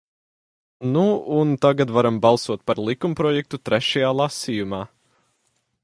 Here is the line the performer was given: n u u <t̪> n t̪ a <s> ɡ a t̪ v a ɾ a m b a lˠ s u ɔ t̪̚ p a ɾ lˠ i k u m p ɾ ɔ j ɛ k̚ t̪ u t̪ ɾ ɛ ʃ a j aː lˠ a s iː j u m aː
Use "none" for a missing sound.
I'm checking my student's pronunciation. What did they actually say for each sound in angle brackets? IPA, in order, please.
none, none

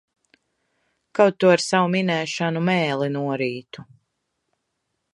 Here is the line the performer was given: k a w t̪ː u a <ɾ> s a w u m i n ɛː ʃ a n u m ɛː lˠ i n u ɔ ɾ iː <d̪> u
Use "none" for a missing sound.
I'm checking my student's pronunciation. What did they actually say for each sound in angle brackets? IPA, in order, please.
ɾ, t̪

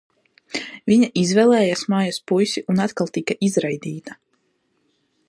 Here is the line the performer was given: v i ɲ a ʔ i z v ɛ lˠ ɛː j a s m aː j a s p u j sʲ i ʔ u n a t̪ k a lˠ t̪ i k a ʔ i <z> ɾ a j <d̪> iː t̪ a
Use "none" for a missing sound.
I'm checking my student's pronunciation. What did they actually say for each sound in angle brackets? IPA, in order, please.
z, d̪

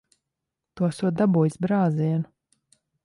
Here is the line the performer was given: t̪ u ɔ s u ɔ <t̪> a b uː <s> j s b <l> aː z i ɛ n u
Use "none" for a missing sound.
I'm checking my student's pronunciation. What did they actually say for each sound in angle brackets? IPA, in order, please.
d̪, none, ɾ

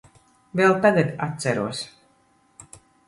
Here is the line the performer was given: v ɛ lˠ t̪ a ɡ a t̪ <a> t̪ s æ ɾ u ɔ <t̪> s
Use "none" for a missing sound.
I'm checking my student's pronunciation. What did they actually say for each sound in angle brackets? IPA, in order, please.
a, none

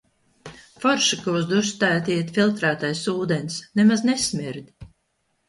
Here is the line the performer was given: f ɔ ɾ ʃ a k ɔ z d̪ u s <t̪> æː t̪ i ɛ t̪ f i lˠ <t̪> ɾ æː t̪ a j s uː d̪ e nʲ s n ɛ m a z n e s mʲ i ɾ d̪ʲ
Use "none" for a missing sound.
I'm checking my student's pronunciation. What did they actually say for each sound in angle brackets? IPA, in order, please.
t̪, t̪

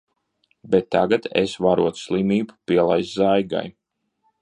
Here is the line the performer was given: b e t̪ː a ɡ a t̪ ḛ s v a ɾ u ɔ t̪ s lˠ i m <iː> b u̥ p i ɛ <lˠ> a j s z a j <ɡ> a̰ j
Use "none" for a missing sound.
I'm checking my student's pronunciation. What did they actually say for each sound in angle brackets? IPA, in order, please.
iː, lˠ, ɡ

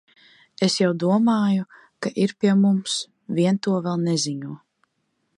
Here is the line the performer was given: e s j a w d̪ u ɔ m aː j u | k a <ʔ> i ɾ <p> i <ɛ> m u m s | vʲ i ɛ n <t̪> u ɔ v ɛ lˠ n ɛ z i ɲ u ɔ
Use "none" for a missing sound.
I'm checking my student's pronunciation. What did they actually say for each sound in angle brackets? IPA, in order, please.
ʔ, p, ɛ, t̪

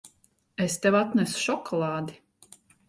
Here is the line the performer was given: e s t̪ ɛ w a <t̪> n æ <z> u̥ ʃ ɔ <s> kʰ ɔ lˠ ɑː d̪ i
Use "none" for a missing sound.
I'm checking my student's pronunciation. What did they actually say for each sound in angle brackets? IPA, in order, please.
t̪, s, none

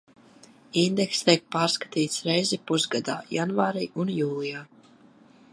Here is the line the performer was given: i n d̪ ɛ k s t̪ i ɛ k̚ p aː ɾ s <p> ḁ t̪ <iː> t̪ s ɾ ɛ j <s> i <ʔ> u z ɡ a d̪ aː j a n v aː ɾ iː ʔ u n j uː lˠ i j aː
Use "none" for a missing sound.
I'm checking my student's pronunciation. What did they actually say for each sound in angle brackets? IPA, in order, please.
k, iː, z, p

